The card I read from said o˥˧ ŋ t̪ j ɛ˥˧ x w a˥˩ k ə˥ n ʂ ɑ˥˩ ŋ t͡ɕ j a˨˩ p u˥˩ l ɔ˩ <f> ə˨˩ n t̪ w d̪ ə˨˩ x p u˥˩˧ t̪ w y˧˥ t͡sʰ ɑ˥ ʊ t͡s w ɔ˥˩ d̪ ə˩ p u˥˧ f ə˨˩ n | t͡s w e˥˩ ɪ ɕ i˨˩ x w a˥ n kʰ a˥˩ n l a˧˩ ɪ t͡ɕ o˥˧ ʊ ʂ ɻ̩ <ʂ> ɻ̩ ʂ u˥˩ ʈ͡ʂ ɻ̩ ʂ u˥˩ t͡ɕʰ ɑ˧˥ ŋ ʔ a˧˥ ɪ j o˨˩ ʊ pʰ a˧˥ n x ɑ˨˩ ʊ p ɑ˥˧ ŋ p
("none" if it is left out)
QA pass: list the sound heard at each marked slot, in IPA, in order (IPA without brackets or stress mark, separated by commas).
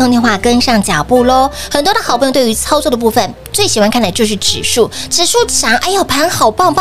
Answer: x, ʈ͡ʂ